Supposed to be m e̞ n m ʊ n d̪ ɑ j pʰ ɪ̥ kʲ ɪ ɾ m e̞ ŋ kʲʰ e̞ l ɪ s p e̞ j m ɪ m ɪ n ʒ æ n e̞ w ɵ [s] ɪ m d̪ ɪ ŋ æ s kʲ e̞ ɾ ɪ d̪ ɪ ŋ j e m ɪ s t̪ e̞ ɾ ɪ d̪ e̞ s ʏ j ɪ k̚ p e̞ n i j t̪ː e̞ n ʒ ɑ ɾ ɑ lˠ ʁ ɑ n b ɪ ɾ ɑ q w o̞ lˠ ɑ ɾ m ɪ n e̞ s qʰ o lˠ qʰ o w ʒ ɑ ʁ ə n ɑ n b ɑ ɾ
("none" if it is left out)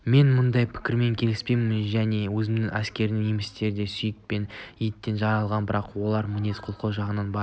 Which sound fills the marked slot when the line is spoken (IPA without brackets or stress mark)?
z